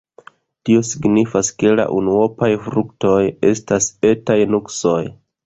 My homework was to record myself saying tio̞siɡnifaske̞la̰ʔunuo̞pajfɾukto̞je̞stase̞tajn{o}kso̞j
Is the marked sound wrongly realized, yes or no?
yes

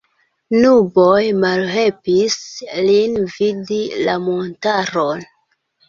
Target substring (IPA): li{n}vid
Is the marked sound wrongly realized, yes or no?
no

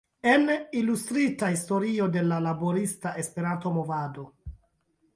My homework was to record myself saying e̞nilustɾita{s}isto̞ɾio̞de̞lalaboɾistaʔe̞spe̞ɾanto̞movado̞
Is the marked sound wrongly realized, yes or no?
yes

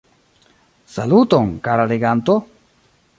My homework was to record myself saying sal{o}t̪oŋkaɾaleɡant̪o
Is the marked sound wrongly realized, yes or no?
yes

